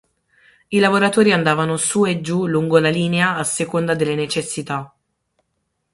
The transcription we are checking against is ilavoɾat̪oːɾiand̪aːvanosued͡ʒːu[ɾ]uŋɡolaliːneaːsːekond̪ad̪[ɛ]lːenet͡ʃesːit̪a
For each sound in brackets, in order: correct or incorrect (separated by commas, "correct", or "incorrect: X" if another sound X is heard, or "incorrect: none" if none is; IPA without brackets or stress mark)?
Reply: incorrect: l, incorrect: e